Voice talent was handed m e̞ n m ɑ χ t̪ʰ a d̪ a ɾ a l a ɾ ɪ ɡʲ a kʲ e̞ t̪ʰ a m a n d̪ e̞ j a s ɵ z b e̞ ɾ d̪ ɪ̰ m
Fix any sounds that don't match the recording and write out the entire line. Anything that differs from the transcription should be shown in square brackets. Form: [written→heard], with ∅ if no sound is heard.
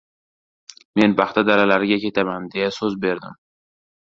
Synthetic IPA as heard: m e̞ n [m→b] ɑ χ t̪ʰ a d̪ a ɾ a l a ɾ ɪ ɡʲ a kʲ e̞ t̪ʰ a m a n d̪ e̞ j a s ɵ z b e̞ ɾ d̪ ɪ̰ m